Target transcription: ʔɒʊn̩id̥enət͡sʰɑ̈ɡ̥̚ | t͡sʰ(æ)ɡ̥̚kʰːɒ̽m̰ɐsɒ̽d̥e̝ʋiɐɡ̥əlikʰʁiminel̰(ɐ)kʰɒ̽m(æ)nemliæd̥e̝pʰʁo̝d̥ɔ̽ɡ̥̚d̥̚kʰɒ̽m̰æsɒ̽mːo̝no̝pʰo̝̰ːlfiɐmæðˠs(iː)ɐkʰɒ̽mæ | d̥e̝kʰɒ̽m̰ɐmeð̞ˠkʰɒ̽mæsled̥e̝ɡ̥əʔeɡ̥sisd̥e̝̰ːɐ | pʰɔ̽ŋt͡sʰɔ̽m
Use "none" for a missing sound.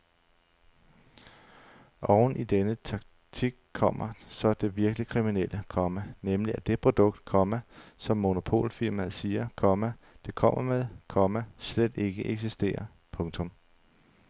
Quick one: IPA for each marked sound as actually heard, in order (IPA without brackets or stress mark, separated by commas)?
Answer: i, ə, æ, iː